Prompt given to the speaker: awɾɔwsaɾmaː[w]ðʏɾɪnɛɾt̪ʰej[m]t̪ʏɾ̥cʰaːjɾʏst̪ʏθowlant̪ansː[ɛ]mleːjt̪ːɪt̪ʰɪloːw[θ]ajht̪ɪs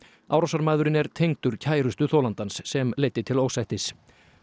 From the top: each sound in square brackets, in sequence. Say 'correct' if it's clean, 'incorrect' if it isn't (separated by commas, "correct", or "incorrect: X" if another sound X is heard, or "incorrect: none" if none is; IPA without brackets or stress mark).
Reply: incorrect: none, incorrect: ŋ, correct, incorrect: s